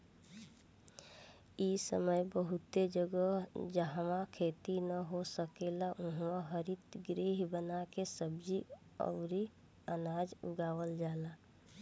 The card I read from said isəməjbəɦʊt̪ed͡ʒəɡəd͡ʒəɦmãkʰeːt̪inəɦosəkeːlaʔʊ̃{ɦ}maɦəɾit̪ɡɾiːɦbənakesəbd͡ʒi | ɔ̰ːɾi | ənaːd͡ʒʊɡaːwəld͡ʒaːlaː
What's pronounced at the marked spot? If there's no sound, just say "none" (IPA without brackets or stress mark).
ɦ